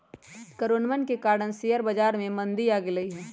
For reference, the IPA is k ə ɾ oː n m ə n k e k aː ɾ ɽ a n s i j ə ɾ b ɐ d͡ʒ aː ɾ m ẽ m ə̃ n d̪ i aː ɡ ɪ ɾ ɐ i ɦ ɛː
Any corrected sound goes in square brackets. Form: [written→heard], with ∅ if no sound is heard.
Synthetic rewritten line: k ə ɾ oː n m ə n k e k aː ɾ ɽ [a→ə] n s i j ə ɾ b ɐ d͡ʒ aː ɾ m ẽ m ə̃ n d̪ i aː ɡ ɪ [ɾ→l] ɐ i ɦ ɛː